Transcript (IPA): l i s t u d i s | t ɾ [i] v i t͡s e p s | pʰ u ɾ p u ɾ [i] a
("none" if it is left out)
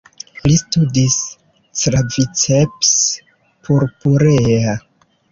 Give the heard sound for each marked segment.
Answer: a, e

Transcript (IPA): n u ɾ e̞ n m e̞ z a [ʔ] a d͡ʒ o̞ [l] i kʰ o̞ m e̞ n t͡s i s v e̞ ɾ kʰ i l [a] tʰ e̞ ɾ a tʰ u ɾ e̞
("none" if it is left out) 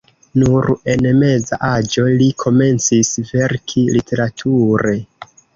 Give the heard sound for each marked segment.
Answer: ʔ, l, i

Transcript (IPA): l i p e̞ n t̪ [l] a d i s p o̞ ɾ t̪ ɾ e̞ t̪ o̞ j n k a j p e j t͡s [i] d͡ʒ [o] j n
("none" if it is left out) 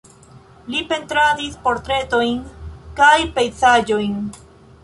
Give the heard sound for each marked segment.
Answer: ɾ, a, o

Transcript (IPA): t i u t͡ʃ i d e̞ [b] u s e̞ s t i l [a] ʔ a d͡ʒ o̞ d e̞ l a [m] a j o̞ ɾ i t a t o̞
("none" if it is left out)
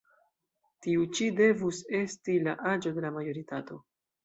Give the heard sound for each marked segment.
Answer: v, a, m

